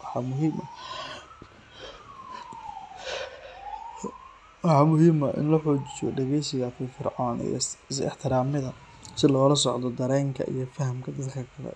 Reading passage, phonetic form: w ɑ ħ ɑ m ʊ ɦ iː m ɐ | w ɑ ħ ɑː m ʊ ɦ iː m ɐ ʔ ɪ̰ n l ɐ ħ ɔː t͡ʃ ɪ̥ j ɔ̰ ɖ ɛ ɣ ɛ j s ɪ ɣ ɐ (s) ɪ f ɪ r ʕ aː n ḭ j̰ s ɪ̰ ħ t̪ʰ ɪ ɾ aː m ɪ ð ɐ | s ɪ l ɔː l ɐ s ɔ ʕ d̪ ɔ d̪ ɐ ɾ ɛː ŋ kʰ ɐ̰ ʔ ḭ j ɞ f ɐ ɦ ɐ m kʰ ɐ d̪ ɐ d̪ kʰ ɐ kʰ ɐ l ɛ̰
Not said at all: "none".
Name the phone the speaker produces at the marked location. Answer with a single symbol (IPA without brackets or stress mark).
f